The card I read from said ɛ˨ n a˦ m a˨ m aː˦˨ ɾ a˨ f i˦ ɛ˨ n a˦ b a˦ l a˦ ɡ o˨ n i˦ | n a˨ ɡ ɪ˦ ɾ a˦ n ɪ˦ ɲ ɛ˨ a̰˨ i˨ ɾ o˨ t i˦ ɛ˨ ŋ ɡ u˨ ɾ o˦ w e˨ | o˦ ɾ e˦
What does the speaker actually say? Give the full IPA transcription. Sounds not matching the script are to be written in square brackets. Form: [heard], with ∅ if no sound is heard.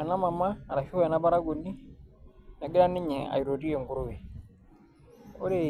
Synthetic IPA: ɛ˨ n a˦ m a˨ m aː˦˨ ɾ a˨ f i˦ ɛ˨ n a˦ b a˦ [ɾ] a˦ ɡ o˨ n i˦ | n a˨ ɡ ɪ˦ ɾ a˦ n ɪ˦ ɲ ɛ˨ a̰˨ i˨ ɾ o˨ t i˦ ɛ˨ ŋ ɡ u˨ ɾ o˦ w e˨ | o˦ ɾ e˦